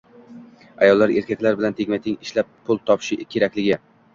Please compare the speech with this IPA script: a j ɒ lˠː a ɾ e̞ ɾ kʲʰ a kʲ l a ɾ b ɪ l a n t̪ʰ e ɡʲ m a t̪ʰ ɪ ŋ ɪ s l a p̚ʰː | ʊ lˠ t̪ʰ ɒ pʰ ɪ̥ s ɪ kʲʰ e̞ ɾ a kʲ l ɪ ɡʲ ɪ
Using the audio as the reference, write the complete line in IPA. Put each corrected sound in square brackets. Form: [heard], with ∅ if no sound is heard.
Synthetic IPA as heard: a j ɒ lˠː a ɾ e̞ ɾ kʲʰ a kʲ l a ɾ b ɪ l a n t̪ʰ e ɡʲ m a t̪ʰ ɪ ŋ ɪ [ʃ] l a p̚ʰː | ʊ lˠ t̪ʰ ɒ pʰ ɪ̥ [ʃ] ɪ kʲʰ e̞ ɾ a kʲ l ɪ ɡʲ ɪ